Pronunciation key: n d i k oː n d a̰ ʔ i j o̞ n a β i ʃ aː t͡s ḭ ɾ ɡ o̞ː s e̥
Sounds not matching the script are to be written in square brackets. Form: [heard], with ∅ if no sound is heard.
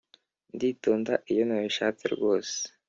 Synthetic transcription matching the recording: n d i [t] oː n d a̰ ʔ i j o̞ n a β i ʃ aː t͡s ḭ ɾ ɡ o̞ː s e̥